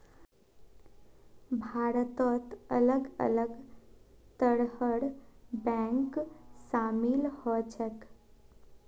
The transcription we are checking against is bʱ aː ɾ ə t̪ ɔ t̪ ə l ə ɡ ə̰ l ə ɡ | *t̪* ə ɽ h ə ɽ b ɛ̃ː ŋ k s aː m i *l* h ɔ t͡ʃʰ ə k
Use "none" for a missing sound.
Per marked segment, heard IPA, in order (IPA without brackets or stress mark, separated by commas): t̪, l